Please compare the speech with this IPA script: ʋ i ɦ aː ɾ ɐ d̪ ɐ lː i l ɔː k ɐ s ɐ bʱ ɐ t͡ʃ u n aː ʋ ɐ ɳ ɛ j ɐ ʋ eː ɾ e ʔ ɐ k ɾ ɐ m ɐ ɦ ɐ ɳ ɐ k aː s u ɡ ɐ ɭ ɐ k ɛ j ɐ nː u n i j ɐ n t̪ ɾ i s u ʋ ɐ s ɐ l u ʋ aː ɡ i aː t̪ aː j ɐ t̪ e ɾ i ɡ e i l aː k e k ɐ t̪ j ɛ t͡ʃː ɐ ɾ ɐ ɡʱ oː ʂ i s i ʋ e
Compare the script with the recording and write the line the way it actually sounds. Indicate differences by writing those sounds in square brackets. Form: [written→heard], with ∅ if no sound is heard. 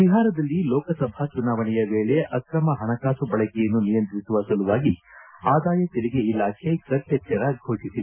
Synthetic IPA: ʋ i ɦ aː ɾ ɐ d̪ ɐ lː i l ɔː k ɐ s ɐ bʱ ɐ t͡ʃ u n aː ʋ ɐ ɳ ɛ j ɐ ʋ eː [ɾ→ɭ] e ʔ ɐ k ɾ ɐ m ɐ ɦ ɐ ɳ ɐ k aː s u [ɡ→b] ɐ ɭ ɐ k ɛ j ɐ nː u n i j ɐ n t̪ ɾ i s u ʋ ɐ s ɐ l u ʋ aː ɡ i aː [t̪→d̪] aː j ɐ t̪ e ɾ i ɡ e i l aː [k→kʰ] e k ɐ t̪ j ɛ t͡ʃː ɐ ɾ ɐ ɡʱ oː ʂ i s i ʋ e